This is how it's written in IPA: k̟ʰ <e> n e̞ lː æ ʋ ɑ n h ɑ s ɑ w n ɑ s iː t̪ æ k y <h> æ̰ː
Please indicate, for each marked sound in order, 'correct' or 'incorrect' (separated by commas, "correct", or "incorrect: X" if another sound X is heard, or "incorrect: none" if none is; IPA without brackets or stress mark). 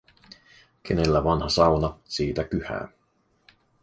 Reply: correct, correct